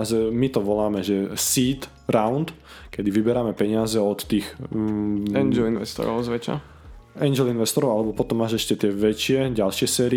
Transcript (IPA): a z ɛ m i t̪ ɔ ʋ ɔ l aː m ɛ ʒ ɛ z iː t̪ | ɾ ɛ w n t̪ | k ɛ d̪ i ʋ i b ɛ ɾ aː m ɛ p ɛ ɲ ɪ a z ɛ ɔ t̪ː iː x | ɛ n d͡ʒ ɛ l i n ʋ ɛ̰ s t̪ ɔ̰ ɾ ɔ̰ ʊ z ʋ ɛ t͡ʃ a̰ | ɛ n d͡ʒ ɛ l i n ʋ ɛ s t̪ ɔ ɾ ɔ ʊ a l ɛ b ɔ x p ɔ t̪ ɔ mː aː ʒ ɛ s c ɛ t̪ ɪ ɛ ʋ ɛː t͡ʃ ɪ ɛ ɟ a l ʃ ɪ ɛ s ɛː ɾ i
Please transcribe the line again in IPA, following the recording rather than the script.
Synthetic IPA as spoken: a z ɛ m i t̪ ɔ ʋ ɔ l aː m ɛ ʒ ɛ s iː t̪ | ɾ a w n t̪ | k ɛ d̪ i ʋ i b ɛ ɾ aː m ɛ p ɛ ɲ ɪ a z ɛ ɔ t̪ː iː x | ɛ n d͡ʒ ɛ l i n ʋ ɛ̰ s t̪ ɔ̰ ɾ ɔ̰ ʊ z ʋ ɛ t͡ʃ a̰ | ɛ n d͡ʒ ɛ l i n ʋ ɛ s t̪ ɔ ɾ ɔ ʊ a l ɛ b ɔ p ɔ t̪ ɔ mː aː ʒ ɛ ʃ c ɛ t̪ ɪ ɛ ʋ ɛ t͡ʃ ɪ ɛ ɟ a l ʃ ɪ ɛ s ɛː ɾ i